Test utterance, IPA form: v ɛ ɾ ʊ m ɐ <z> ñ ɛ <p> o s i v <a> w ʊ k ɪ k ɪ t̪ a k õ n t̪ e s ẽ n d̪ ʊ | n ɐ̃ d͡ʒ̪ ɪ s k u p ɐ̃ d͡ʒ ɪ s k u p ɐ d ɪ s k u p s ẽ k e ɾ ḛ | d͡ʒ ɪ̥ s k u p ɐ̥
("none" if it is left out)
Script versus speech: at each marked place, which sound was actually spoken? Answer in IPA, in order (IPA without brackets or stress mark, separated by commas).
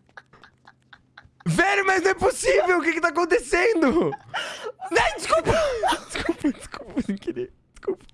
z, p, e